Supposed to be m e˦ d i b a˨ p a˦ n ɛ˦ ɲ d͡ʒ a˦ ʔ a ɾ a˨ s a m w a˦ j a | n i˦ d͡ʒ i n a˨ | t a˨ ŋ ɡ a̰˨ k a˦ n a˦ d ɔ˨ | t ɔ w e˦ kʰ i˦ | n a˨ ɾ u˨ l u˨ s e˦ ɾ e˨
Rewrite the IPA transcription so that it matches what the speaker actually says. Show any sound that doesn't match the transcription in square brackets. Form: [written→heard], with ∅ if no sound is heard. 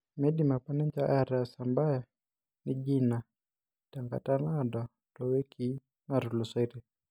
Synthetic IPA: m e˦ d i [b→m] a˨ p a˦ n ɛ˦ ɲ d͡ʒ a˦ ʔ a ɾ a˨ s a m [w→b] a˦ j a | n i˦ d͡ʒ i n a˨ | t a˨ ŋ ɡ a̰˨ [k→t] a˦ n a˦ d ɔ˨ | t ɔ w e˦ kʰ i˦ | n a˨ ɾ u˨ l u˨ s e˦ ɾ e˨